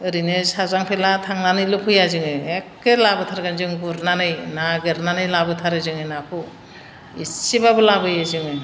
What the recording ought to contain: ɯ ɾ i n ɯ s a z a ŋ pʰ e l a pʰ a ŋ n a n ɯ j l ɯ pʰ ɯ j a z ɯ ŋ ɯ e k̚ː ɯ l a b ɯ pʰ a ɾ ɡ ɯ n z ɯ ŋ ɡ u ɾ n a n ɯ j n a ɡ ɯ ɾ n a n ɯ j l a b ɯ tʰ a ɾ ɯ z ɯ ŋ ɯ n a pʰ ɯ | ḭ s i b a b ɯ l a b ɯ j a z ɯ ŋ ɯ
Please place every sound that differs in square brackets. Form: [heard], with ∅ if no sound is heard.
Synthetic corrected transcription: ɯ ɾ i n ɯ s a z a ŋ pʰ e l a [tʰ] a ŋ n a n ɯ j l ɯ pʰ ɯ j a z ɯ ŋ ɯ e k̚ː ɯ l a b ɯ [tʰ] a ɾ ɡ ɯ n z ɯ ŋ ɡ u ɾ n a n ɯ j n a ɡ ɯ ɾ n a n ɯ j l a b ɯ tʰ a ɾ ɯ z ɯ ŋ ɯ n a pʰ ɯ | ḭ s i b a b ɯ l a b ɯ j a z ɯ ŋ ɯ